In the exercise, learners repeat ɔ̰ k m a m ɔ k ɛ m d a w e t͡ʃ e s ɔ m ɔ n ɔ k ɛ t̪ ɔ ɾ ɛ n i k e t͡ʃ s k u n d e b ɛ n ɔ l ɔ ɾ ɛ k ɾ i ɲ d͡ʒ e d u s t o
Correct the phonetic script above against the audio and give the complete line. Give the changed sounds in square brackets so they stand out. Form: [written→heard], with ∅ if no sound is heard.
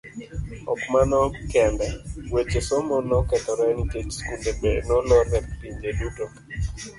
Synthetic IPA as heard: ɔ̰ k m a [m→n] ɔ k ɛ [m→n] d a w e t͡ʃ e s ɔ m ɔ n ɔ k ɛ t̪ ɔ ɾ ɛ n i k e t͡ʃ s k u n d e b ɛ n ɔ l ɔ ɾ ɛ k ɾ i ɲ d͡ʒ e d u [s→∅] t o